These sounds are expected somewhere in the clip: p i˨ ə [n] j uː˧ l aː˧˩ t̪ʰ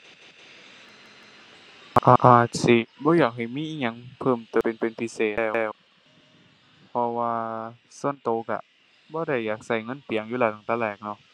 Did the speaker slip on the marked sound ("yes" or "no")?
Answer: yes